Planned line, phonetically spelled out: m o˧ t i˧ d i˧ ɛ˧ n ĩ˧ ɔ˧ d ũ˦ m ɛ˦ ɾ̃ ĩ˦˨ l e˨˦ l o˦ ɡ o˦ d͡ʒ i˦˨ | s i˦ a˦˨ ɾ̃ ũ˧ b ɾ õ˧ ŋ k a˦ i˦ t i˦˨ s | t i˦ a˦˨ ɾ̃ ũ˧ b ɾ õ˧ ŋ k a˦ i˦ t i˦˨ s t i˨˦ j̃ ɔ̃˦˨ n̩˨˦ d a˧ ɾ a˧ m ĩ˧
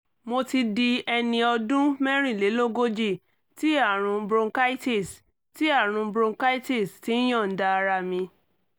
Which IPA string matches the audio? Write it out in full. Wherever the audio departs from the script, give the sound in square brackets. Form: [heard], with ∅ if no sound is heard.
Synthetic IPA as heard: m o˧ t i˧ d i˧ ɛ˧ n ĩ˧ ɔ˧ d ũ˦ m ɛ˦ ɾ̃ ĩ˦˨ l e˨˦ l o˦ ɡ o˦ d͡ʒ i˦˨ | [t] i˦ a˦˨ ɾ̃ ũ˧ b ɾ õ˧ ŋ k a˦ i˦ t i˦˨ s | t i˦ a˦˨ ɾ̃ ũ˧ b ɾ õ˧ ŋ k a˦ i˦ t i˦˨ s t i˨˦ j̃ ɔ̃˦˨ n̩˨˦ d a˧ ɾ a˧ m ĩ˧